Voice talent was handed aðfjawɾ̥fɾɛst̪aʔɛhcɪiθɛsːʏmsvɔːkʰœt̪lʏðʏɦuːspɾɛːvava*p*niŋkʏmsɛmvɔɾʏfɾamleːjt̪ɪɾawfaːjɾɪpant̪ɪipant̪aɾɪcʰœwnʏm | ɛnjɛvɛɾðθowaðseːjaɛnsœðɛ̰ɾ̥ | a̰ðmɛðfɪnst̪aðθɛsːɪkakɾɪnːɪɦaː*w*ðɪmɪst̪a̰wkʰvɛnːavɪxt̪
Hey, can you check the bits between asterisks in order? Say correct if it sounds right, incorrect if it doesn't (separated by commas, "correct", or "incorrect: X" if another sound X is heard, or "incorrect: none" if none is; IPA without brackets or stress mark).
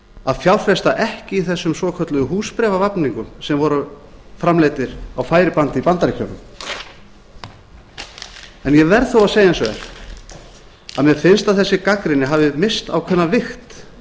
correct, incorrect: v